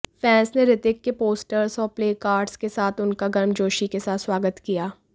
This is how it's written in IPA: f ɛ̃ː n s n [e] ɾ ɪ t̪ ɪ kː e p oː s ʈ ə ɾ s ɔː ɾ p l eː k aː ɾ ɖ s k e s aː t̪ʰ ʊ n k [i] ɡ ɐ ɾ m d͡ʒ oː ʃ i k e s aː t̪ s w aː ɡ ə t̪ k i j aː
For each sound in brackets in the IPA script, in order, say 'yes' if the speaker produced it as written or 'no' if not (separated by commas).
yes, no